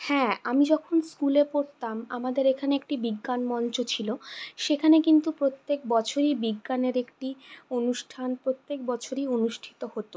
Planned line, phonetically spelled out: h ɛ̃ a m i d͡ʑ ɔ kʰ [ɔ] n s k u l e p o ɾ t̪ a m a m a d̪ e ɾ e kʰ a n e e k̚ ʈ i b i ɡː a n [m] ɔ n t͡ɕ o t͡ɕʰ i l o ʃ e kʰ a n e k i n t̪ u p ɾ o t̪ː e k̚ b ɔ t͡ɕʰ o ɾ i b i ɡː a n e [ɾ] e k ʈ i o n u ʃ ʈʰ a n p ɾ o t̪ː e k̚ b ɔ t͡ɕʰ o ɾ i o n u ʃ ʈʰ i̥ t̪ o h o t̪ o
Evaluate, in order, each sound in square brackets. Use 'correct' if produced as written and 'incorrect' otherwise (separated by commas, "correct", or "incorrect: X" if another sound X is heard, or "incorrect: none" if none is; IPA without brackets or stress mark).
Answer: incorrect: o, correct, correct